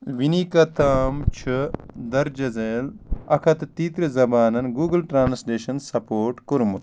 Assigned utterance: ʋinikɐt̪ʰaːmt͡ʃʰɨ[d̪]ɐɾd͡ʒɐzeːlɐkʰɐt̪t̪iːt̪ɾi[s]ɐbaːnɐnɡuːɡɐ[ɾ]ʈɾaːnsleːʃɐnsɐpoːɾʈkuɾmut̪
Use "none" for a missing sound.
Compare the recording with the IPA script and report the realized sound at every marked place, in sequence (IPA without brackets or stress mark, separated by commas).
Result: d̪, z, l